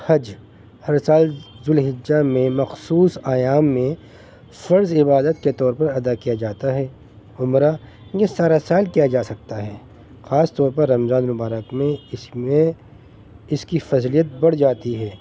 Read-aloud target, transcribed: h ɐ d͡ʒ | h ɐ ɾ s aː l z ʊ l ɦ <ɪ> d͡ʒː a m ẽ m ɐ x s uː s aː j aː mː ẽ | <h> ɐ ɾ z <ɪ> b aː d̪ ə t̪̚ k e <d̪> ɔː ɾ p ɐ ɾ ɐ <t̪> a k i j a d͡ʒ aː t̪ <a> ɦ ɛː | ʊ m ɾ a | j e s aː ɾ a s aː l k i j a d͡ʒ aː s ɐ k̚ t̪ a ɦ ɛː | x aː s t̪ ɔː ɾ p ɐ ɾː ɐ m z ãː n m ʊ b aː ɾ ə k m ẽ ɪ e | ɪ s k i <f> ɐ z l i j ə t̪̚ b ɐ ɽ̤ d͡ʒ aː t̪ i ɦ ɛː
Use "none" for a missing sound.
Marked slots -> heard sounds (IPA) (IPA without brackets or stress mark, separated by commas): ɪ, f, ɪ, t̪, d̪, a, f